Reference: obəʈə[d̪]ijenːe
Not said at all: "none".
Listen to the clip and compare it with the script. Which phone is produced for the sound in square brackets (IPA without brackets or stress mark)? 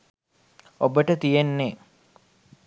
t̪